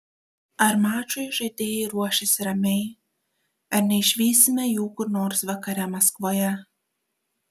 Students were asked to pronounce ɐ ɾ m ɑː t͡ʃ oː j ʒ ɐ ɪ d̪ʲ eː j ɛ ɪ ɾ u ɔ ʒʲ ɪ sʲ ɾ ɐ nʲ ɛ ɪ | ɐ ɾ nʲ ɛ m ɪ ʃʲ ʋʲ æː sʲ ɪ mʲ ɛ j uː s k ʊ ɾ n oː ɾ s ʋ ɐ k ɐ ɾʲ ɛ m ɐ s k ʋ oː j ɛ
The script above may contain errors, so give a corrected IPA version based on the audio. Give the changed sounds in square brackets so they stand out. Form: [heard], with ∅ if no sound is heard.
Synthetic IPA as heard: ɐ ɾ m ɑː t͡ʃ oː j ʒ ɐ ɪ d̪ʲ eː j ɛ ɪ ɾ u ɔ [ʃʲ] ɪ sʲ ɾ ɐ [mʲ] ɛ ɪ | ɐ ɾ nʲ ɛ [∅] ɪ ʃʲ ʋʲ [iː] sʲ ɪ mʲ ɛ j uː [∅] k ʊ ɾ n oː ɾ s ʋ ɐ k ɐ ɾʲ ɛ m ɐ s k ʋ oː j ɛ